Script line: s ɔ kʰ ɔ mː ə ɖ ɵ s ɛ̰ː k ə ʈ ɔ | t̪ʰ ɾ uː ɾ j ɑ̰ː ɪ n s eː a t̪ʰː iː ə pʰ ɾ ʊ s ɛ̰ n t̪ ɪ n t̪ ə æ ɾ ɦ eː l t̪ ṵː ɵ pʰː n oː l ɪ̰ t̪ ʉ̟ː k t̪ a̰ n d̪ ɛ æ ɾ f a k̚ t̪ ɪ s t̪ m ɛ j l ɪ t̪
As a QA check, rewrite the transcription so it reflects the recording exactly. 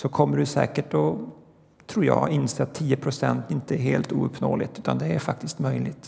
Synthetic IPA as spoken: s ɔ kʰ ɔ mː ə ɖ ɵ s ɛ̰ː k ə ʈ ɔ | t̪ʰ ɾ uː ɾ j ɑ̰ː ɪ n s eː a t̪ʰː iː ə pʰ ɾ ʊ s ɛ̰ n t̪ ɪ n t̪ ə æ ɾ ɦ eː l t̪ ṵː ɵ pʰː n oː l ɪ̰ t̪ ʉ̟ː t̪ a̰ n d̪ ɛ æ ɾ f a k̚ t̪ ɪ s t̪ m œ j l ɪ t̪